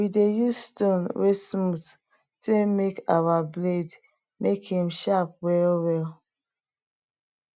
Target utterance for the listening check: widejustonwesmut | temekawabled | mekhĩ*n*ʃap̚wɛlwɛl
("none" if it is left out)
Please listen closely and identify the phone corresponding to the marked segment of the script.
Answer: m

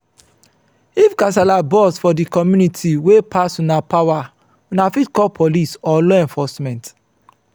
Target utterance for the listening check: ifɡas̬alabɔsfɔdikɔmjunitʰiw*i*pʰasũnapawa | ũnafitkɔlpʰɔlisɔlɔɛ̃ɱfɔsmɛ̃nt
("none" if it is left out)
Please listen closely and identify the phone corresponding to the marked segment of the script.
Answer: e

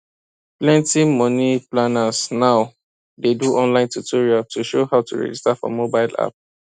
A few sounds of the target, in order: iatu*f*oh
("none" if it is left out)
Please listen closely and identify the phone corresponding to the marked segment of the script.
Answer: ʃ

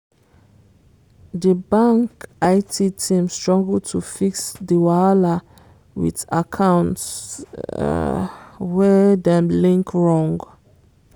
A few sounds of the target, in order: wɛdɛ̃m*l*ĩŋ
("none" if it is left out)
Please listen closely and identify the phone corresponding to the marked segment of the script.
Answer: l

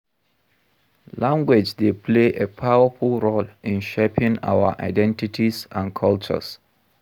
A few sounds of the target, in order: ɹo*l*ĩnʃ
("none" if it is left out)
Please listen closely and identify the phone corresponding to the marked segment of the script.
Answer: l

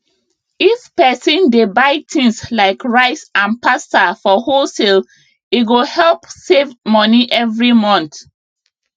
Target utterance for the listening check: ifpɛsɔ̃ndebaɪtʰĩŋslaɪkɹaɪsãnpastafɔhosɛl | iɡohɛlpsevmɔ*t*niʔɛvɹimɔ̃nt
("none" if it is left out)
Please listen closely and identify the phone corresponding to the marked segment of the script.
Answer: none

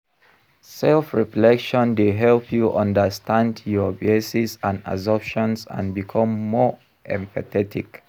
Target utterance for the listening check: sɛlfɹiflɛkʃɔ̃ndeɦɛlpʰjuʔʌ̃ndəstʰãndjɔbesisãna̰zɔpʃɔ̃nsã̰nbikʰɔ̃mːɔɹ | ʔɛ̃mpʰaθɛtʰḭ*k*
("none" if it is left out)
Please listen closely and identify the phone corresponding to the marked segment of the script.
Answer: k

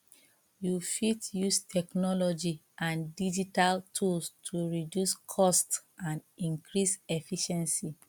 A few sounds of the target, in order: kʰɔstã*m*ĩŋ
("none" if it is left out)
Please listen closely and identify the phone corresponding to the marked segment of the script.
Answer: n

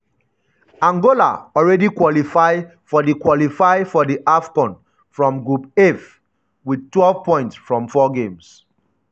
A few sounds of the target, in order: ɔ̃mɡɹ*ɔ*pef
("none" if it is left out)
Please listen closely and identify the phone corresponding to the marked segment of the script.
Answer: u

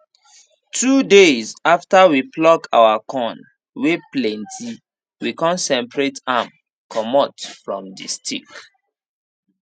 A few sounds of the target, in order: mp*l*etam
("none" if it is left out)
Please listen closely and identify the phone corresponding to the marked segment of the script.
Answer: ɹ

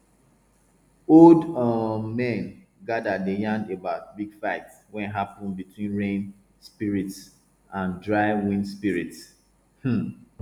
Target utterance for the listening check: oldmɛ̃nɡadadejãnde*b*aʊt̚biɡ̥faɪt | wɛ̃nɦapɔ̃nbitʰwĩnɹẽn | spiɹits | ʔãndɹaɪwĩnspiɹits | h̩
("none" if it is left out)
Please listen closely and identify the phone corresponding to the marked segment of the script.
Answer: b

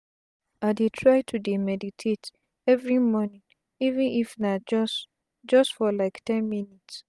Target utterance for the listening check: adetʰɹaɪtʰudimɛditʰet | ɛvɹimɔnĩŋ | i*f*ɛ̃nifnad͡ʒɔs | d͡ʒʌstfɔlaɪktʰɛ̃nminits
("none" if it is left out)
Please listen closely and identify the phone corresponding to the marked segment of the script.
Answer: v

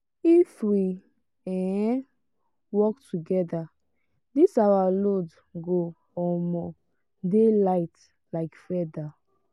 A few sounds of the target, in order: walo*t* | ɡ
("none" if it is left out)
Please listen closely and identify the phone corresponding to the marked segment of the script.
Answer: d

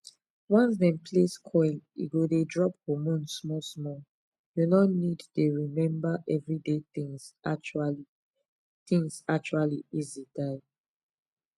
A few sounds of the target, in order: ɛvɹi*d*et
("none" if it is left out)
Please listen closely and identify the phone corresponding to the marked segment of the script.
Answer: d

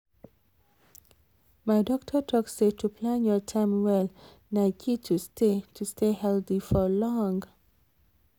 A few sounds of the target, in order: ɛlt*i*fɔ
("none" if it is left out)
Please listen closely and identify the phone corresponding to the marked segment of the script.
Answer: i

